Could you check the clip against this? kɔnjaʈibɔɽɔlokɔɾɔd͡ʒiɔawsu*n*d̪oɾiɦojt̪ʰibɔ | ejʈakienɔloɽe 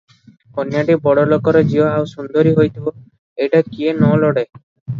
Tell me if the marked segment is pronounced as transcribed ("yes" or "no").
yes